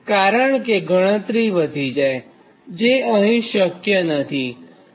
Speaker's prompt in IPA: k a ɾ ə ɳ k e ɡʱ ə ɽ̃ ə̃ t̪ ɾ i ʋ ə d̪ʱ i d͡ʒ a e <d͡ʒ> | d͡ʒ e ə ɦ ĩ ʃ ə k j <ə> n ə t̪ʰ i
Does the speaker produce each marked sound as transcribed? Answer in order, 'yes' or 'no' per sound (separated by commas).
no, yes